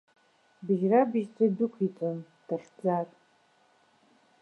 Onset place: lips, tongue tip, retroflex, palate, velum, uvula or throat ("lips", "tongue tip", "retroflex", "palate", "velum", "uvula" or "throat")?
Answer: lips